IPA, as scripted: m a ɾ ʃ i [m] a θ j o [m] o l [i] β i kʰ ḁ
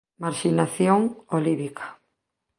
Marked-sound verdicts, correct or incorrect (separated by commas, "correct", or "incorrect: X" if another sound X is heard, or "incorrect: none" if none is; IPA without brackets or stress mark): incorrect: n, incorrect: ŋ, correct